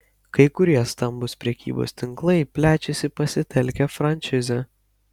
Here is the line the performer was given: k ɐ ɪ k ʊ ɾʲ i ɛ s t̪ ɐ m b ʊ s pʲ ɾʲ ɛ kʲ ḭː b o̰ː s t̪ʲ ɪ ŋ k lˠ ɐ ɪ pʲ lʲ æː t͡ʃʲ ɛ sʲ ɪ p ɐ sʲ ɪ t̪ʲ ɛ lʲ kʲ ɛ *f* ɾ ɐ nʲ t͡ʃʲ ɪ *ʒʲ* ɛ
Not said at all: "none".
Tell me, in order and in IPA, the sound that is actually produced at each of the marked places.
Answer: f, zʲ

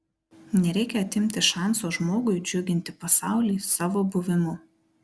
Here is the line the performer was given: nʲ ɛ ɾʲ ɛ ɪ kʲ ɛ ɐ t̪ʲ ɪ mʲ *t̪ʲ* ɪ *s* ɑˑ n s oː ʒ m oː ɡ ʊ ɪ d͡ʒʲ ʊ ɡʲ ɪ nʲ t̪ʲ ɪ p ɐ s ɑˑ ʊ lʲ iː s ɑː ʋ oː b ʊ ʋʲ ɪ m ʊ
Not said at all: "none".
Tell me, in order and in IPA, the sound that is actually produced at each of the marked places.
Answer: t̪ʲ, ʃ

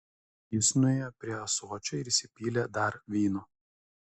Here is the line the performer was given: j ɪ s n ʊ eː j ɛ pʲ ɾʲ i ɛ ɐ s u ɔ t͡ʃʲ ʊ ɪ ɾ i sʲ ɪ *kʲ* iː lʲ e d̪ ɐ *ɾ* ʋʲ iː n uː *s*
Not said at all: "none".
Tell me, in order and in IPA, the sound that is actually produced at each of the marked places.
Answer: pʲ, ɾ, none

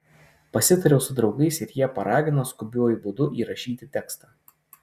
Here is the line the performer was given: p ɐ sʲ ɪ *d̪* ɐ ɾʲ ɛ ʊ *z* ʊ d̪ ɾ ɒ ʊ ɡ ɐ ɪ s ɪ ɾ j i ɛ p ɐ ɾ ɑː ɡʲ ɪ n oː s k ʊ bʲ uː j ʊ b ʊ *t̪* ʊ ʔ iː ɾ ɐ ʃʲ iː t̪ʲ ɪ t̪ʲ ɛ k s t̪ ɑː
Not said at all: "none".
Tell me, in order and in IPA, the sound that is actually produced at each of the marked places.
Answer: t̪, s, d̪

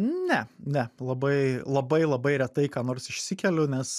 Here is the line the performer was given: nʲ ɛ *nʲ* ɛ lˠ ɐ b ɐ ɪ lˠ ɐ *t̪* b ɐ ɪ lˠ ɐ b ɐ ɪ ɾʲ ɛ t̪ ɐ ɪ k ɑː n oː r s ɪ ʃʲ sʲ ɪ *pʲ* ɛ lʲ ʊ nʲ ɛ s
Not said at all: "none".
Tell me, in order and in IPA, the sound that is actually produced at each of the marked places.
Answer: nʲ, none, kʲ

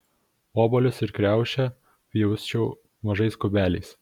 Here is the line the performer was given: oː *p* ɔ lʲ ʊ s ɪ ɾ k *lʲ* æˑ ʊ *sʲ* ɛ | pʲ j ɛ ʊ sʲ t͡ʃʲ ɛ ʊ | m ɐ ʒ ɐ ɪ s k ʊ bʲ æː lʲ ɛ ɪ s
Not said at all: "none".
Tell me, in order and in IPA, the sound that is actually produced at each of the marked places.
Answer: b, ɾʲ, ʃʲ

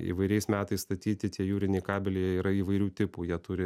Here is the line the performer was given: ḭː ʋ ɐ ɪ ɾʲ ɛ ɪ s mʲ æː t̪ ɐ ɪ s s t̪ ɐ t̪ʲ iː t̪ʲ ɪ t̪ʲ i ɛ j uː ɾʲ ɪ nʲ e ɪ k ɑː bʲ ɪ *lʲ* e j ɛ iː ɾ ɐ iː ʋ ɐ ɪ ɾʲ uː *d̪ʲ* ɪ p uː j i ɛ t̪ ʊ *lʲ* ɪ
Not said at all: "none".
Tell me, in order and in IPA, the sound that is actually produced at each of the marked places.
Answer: lʲ, t̪ʲ, ɾʲ

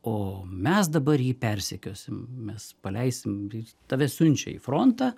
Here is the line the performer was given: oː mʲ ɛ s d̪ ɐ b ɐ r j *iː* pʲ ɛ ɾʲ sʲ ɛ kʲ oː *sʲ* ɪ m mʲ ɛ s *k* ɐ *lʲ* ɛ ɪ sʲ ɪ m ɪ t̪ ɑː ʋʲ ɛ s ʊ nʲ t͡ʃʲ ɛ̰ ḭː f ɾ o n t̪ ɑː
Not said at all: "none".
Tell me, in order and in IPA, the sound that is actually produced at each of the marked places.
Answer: iː, sʲ, p, lʲ

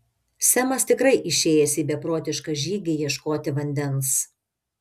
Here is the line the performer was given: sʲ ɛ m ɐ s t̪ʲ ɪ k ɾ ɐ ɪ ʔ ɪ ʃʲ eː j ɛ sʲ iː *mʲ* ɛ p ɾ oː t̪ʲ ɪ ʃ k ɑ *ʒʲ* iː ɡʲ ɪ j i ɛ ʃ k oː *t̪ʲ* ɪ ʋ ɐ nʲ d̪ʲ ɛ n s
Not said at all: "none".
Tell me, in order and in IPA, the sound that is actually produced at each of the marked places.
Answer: bʲ, ʒʲ, t̪ʲ

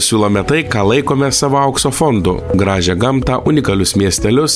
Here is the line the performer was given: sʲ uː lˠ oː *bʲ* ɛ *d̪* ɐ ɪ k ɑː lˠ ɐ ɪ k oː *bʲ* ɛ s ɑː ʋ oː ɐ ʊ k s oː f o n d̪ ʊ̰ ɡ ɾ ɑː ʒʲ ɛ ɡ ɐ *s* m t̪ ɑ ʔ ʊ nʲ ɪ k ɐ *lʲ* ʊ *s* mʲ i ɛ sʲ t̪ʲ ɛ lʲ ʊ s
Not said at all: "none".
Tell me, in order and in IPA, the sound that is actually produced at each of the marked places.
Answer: mʲ, t̪, mʲ, none, lʲ, s

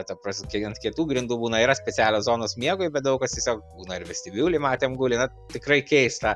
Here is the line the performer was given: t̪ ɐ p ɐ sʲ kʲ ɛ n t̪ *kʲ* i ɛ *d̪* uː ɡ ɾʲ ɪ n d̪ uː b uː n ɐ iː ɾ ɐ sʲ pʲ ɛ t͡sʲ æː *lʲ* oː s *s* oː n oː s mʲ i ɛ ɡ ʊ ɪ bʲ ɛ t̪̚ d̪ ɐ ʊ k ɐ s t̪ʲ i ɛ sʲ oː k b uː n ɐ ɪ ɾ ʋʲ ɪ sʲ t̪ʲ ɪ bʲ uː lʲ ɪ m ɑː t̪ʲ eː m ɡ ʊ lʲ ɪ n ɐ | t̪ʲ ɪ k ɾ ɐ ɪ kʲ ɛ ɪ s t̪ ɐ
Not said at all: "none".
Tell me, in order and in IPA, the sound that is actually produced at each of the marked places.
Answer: kʲ, t̪, lʲ, z

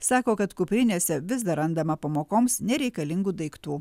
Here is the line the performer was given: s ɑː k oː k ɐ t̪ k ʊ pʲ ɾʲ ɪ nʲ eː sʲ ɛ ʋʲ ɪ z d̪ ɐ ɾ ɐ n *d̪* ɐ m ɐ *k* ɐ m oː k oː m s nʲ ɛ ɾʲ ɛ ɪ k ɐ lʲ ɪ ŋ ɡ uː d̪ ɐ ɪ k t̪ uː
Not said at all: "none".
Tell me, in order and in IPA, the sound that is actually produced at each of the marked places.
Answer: d̪, p

